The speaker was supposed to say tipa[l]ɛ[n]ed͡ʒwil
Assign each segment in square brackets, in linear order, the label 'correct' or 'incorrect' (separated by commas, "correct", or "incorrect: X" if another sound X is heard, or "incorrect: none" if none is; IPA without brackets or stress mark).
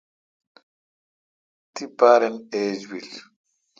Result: incorrect: ɾ, correct